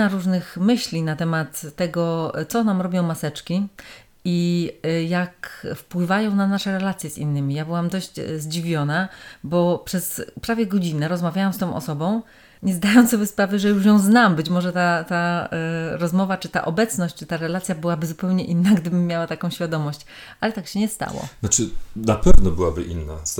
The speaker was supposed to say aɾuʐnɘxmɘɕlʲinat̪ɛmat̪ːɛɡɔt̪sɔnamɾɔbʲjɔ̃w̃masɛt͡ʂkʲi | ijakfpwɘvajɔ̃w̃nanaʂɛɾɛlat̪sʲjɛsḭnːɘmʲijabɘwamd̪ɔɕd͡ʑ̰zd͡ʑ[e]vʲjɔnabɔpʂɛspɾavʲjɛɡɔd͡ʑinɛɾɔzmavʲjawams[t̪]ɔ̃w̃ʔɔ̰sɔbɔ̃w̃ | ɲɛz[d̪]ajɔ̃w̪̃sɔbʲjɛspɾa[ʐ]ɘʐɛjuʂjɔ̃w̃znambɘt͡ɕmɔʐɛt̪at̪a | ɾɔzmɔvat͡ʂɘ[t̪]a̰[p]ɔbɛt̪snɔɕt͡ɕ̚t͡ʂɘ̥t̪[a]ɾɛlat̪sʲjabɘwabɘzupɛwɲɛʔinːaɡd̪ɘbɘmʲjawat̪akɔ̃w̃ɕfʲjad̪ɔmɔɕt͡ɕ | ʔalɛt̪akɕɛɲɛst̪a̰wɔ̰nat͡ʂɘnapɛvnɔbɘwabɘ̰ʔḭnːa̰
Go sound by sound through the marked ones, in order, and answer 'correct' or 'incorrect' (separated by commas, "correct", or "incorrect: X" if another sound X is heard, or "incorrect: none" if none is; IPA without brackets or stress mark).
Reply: incorrect: i, correct, correct, incorrect: v, correct, incorrect: ʔ, correct